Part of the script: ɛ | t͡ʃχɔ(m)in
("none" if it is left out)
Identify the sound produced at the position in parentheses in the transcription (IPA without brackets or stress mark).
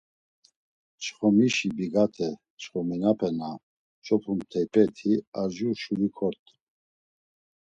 m